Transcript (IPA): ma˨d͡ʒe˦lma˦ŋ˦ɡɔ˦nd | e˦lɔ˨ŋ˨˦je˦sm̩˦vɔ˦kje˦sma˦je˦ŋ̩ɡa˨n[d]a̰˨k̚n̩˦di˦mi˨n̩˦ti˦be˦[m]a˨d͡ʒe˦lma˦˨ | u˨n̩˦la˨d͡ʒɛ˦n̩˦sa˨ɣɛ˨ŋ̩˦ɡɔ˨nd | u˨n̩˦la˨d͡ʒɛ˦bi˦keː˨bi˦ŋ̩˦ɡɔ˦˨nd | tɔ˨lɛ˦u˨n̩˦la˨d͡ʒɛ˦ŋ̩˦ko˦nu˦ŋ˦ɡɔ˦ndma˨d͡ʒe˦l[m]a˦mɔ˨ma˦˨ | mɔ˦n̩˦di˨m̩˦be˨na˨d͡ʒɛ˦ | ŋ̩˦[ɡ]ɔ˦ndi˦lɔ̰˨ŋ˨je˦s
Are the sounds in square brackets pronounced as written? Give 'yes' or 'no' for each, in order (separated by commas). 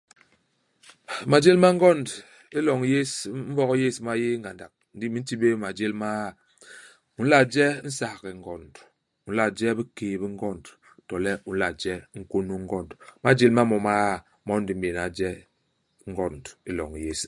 yes, yes, yes, yes